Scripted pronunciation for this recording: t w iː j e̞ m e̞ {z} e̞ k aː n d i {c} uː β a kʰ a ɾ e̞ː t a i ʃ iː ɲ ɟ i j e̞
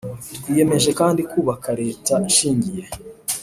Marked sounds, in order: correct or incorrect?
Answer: incorrect: ʒ, incorrect: k

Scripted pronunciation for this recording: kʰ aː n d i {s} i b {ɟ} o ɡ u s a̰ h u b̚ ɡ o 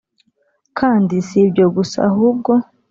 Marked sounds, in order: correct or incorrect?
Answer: correct, correct

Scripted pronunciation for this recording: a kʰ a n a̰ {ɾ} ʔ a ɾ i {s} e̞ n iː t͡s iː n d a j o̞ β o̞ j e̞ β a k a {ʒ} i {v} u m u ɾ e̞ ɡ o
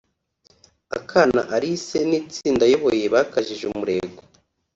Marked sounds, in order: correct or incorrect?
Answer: incorrect: none, correct, correct, incorrect: ʒ

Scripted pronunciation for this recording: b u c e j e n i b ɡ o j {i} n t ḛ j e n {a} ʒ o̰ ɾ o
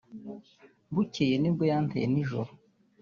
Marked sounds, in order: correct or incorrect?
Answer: incorrect: a, incorrect: i

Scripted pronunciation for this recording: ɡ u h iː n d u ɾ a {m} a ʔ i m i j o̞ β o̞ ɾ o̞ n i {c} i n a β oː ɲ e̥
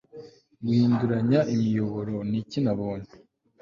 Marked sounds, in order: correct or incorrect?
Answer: incorrect: ɲ, correct

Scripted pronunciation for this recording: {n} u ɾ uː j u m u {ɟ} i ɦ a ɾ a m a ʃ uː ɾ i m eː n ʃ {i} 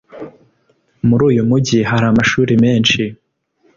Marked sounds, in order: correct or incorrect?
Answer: incorrect: m, correct, correct

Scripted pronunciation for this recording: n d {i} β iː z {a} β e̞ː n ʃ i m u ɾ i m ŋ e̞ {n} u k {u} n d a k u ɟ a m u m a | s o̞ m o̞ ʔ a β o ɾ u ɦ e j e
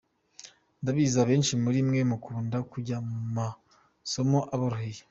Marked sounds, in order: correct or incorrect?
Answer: incorrect: a, correct, incorrect: m, incorrect: uː

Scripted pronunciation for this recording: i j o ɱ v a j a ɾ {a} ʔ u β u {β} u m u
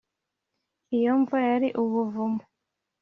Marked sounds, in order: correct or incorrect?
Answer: incorrect: i, incorrect: v

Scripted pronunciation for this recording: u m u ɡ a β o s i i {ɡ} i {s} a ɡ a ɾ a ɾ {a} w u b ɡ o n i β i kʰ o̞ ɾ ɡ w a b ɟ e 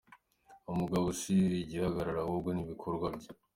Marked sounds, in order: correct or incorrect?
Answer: incorrect: ɟ, incorrect: h, correct

